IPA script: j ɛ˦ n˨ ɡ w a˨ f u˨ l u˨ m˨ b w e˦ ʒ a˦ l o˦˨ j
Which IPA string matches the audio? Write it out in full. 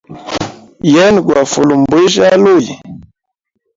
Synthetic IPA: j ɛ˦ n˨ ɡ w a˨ f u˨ l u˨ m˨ b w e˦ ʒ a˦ l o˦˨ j